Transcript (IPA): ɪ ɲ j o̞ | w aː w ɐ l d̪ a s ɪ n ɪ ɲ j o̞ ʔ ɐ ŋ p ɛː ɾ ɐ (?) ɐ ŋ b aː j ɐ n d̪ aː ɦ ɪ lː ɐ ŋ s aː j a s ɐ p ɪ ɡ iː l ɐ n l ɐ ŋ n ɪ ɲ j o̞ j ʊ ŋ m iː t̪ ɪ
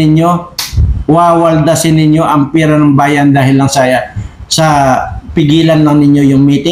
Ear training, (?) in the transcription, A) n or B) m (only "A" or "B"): A